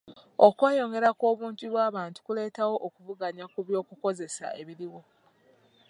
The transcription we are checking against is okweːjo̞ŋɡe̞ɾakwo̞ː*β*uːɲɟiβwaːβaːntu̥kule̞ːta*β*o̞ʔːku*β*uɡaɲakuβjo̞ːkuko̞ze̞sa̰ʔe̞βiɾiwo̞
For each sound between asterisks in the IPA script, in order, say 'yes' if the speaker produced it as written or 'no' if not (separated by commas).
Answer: yes, no, no